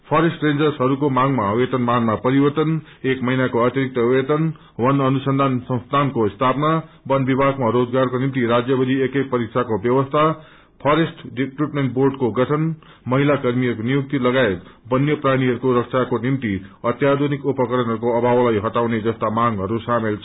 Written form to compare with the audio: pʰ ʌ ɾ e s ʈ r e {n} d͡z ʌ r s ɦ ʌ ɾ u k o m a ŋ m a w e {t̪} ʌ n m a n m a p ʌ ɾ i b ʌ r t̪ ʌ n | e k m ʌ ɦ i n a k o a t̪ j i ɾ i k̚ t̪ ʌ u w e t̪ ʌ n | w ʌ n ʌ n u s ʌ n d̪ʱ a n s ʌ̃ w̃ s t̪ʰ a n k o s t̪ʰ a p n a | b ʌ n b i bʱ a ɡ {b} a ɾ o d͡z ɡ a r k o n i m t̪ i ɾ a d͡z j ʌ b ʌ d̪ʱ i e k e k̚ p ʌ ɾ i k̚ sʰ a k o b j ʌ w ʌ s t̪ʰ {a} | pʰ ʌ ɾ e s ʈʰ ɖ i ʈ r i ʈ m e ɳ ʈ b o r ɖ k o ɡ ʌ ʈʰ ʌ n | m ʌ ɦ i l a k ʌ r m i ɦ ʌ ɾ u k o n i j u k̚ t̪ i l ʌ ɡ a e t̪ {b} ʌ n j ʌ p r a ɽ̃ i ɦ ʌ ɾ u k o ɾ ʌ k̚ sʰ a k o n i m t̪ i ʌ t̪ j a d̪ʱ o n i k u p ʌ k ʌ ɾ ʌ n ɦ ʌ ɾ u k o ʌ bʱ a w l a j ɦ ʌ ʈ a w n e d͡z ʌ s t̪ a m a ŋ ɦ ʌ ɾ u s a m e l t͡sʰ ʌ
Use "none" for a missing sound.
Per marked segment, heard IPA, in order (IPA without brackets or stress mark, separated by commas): n, t̪, m, a, b